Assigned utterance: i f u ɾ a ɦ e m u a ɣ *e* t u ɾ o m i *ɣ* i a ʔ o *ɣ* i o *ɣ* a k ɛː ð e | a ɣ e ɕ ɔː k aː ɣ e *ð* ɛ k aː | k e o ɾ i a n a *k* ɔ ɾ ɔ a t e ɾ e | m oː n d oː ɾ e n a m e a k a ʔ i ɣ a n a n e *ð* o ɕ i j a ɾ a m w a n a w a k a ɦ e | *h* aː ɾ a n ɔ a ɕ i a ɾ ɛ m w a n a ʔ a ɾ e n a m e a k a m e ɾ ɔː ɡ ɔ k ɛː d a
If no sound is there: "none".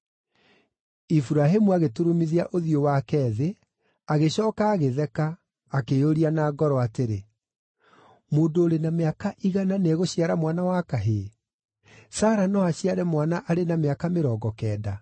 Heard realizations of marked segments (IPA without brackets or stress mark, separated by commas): e, ð, ð, w, ð, ɡ, ɣ, s